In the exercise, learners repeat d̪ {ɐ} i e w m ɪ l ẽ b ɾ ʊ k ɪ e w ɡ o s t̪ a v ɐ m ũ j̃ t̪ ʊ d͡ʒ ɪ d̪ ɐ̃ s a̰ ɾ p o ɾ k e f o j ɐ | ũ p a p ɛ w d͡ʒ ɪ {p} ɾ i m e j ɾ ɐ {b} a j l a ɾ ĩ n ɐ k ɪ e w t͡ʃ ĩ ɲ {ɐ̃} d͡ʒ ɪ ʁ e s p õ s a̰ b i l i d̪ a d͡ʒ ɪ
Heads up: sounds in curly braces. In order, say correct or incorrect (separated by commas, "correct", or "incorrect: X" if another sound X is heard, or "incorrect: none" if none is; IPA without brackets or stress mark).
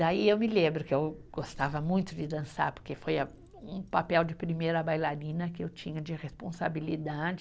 incorrect: a, correct, correct, incorrect: ɐ